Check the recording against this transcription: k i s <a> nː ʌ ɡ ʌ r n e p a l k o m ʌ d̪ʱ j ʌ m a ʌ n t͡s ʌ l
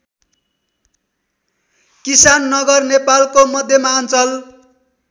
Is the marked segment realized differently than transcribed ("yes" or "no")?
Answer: no